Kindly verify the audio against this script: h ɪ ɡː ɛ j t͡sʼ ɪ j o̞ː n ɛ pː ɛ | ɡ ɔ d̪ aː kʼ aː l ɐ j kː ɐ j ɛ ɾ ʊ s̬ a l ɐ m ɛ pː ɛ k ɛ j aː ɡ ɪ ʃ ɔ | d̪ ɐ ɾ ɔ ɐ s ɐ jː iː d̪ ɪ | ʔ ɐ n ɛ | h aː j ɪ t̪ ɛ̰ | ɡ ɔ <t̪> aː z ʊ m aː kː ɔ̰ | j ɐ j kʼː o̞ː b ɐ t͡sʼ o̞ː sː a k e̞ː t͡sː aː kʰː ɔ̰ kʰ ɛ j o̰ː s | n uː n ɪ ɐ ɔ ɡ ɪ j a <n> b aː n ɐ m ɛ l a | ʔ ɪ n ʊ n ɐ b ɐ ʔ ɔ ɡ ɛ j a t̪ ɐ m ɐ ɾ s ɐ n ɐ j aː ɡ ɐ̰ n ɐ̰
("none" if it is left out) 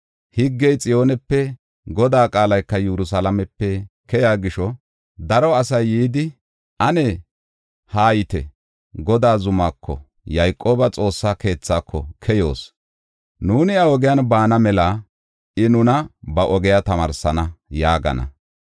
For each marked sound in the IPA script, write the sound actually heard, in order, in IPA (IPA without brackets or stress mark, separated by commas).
d̪, n